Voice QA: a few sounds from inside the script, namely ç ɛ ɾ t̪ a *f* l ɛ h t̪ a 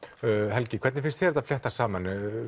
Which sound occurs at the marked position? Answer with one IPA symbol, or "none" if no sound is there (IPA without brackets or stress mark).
f